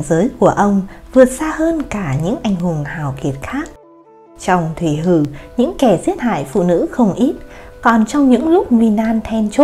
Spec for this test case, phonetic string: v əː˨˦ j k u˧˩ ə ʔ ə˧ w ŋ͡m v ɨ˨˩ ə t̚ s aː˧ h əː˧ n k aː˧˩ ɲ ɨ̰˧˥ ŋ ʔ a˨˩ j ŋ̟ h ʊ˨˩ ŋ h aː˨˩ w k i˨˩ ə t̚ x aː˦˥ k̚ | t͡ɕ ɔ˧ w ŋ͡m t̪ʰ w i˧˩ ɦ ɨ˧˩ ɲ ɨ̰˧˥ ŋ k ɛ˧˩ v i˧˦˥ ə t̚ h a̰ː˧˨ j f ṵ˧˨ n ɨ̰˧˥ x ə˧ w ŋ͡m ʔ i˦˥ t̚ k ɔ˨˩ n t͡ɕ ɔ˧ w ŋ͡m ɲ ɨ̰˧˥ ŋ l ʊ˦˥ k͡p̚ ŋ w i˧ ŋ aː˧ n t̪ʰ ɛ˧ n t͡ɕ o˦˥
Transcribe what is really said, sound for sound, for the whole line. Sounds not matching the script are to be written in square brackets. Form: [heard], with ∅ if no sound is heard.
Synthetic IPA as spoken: [z] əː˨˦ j k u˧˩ ə ʔ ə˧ w ŋ͡m v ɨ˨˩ ə t̚ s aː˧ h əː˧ n k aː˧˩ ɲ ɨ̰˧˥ ŋ ʔ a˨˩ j ŋ̟ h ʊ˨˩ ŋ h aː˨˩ w k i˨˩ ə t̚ x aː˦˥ k̚ | t͡ɕ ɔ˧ w ŋ͡m t̪ʰ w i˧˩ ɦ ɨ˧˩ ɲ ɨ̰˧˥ ŋ k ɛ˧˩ [z] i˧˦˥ ə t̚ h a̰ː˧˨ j f ṵ˧˨ n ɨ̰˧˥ x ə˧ w ŋ͡m ʔ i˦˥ t̚ k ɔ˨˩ n t͡ɕ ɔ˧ w ŋ͡m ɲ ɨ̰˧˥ ŋ l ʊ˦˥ k͡p̚ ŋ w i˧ [n] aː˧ n t̪ʰ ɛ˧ n t͡ɕ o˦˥